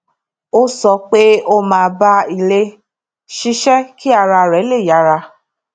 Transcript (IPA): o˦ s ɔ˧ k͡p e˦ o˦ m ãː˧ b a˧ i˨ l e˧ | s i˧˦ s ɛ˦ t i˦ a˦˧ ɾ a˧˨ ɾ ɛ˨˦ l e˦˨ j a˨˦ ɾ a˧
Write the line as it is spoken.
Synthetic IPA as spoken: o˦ s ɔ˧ k͡p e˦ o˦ m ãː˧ b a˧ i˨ l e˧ | ʃ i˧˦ ʃ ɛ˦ k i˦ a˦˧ ɾ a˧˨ ɾ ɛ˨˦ l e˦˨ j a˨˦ ɾ a˧